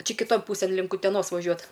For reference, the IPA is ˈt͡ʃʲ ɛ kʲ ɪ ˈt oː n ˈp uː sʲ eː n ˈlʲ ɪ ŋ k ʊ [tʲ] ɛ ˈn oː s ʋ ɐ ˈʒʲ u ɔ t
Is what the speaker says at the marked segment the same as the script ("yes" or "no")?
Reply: yes